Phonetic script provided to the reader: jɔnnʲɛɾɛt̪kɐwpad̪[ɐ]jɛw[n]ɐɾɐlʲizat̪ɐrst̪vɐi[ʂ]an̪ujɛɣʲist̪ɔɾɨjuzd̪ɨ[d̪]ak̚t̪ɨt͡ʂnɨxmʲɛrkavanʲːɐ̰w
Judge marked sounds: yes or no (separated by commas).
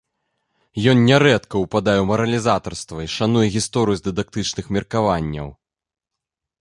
no, no, yes, yes